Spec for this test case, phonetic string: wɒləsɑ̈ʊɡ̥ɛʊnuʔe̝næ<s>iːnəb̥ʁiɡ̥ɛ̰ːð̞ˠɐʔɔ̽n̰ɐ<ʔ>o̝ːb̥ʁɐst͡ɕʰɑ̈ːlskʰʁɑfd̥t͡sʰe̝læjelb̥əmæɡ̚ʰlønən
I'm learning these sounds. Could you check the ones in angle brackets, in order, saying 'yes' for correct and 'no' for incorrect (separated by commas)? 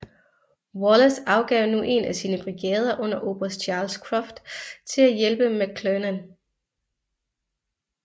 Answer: yes, yes